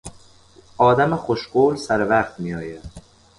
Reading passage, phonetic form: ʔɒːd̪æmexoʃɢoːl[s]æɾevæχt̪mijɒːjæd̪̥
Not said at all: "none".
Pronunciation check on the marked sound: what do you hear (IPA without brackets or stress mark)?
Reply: s